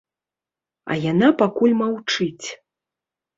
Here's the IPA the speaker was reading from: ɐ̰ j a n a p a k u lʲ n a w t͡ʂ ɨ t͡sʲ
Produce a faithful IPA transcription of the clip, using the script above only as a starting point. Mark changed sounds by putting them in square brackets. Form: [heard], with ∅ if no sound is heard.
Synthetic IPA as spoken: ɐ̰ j a n a p a k u lʲ [m] a w t͡ʂ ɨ t͡sʲ